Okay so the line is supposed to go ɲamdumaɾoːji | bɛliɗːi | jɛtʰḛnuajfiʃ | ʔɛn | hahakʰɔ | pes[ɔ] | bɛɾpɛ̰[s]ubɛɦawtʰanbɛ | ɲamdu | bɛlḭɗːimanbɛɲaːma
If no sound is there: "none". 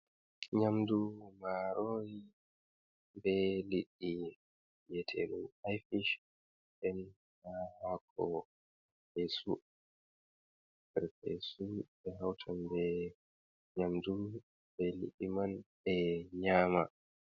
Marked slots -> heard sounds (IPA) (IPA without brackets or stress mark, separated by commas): u, s